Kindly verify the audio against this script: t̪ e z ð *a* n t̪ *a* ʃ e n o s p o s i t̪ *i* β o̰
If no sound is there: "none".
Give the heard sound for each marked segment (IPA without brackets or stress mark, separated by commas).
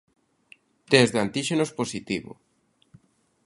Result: a, i, i